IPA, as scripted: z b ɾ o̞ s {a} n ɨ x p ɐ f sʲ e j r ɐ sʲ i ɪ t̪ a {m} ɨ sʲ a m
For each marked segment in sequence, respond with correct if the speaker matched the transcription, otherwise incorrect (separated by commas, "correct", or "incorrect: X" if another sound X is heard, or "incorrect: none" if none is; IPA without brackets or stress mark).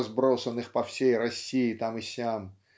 incorrect: ə, correct